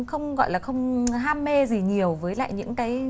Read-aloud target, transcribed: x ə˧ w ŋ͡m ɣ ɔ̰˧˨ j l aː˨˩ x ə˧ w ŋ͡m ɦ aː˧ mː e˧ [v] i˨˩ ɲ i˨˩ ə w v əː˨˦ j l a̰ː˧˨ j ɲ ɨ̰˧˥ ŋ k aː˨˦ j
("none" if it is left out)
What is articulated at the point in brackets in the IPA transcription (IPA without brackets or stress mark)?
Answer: z